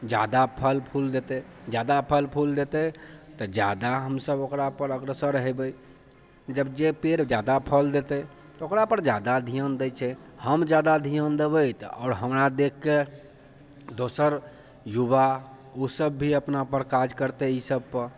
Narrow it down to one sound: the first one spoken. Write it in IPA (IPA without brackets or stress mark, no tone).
d͡ʒ